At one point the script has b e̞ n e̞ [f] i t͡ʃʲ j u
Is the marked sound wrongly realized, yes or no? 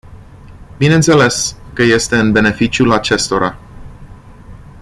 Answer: no